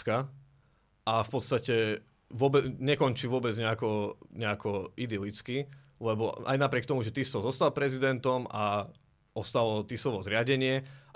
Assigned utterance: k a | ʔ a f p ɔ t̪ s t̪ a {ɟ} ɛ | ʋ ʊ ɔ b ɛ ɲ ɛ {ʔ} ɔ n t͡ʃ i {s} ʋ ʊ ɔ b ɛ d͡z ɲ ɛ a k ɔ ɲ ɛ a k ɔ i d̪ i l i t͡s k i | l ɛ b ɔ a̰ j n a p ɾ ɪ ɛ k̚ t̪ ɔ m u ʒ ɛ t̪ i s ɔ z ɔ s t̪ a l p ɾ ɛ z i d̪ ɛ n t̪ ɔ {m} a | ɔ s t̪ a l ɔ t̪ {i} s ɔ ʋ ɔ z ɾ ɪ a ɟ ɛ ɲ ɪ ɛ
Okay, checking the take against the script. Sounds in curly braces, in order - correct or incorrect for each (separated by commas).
incorrect, incorrect, incorrect, correct, correct